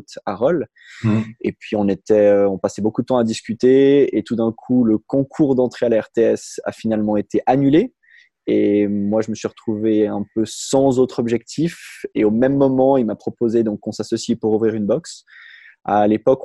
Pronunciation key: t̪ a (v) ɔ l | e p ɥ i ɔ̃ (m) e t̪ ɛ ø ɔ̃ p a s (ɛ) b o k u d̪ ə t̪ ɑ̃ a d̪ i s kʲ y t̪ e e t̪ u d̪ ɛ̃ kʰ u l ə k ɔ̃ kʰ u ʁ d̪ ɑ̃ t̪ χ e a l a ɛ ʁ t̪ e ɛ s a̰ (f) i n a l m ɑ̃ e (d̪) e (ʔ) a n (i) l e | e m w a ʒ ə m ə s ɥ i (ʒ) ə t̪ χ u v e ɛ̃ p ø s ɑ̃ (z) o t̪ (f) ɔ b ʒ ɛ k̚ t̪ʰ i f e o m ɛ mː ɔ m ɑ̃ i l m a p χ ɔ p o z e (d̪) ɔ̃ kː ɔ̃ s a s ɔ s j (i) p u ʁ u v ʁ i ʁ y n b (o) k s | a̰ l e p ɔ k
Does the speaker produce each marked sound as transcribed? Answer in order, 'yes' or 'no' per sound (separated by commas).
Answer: no, no, yes, yes, no, yes, no, no, yes, no, yes, yes, no